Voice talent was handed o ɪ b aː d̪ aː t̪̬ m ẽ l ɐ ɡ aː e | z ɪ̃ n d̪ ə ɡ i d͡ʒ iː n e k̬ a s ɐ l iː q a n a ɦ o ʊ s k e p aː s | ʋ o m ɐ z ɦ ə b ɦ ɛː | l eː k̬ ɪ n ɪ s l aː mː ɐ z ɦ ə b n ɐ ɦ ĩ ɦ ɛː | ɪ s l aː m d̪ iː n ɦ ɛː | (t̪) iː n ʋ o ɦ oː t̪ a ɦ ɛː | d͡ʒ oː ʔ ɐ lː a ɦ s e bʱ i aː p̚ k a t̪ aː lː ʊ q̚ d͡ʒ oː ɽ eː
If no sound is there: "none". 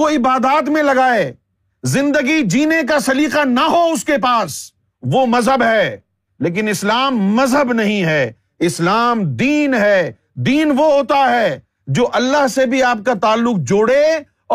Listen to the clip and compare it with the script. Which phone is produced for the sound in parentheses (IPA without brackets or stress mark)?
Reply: d̪